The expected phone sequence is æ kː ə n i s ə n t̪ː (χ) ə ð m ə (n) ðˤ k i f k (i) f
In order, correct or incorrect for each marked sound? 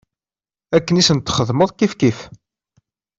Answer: correct, incorrect: none, correct

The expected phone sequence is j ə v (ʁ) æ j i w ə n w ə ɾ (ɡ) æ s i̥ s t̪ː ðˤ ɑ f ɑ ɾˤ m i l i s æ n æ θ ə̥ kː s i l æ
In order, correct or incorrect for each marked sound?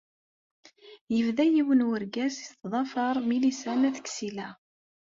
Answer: incorrect: ð, correct

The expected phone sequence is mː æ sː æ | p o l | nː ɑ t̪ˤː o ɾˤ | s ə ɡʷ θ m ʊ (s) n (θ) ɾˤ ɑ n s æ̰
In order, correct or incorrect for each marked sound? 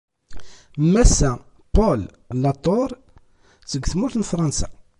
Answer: incorrect: θ, incorrect: f

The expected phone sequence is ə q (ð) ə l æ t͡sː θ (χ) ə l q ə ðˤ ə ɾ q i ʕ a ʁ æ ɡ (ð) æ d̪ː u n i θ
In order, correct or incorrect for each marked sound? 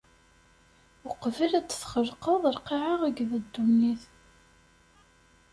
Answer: incorrect: v, correct, correct

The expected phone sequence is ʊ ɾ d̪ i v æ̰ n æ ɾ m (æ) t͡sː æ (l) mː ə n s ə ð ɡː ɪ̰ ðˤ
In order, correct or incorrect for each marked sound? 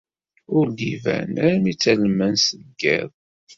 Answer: incorrect: i, correct

